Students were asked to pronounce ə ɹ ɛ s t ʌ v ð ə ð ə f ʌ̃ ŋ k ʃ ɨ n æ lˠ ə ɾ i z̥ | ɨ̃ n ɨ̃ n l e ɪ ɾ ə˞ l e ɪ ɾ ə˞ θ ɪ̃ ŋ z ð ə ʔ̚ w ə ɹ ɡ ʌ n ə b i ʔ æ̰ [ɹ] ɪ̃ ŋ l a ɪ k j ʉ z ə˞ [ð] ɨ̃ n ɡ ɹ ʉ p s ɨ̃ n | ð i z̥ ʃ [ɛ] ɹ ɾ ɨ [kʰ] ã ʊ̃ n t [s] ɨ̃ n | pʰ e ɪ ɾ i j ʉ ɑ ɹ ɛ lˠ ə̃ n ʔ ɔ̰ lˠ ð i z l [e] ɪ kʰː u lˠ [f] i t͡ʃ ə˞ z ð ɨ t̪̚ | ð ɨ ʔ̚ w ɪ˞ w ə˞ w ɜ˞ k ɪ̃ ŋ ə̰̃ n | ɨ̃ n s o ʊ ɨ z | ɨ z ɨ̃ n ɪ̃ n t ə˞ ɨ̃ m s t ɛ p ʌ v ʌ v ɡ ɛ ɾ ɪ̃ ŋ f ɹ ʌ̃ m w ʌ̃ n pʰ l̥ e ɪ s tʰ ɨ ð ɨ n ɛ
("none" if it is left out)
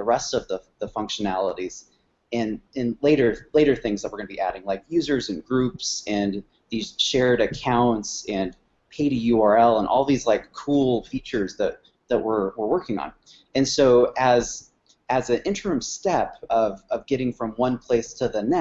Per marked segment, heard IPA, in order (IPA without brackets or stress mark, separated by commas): ɾ, z, ɛ, kʰ, s, a, f